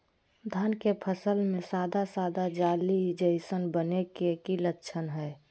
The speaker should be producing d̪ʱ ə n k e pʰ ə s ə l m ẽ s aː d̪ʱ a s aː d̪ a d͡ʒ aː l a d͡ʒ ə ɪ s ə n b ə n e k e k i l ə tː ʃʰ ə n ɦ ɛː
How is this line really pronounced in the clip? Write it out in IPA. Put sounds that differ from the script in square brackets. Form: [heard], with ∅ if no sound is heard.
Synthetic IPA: d̪ʱ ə n k e pʰ ə s ə l m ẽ s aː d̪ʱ a s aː d̪ a d͡ʒ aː l [i] d͡ʒ ə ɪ s ə n b ə n e k e k i l ə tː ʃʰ ə n ɦ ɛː